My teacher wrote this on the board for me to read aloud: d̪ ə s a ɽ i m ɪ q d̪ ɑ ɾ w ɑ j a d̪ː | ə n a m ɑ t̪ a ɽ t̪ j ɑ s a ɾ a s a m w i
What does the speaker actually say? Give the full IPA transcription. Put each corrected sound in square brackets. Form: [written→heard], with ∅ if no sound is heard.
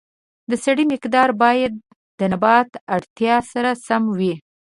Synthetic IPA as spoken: d̪ ə s a ɽ i m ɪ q d̪ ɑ ɾ [w→b] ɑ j a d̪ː | ə n a [m→b] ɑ t̪ a ɽ t̪ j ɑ s a ɾ a s a m w i